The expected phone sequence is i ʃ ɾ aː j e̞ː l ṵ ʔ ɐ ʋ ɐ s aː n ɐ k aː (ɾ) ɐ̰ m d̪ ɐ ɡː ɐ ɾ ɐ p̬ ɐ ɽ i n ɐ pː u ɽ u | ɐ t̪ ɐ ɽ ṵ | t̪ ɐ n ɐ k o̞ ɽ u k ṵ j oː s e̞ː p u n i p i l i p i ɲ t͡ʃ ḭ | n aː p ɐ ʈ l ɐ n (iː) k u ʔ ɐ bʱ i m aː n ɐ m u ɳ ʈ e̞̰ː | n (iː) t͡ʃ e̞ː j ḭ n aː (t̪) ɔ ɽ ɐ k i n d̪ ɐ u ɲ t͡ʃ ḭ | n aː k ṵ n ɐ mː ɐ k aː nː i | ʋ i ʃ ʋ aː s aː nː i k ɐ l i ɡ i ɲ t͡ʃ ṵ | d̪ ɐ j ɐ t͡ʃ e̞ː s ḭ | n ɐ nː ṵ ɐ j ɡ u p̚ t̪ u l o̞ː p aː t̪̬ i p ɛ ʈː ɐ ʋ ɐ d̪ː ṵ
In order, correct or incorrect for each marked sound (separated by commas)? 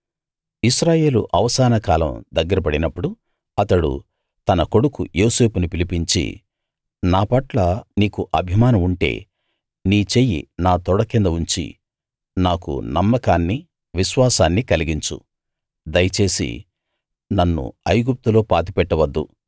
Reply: incorrect, correct, correct, correct